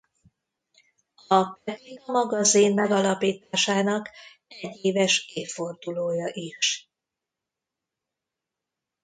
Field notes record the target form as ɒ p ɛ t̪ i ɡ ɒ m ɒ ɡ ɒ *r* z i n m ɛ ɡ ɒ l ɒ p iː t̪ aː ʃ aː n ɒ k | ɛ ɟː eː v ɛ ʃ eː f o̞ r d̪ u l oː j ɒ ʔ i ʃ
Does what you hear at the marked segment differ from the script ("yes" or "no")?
yes